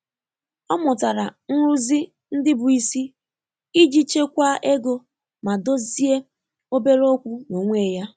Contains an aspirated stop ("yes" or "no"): no